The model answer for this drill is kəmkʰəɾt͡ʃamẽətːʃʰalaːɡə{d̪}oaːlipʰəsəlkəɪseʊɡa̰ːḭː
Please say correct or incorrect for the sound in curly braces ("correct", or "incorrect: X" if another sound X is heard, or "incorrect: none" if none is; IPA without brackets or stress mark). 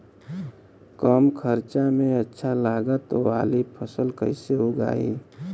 incorrect: t̪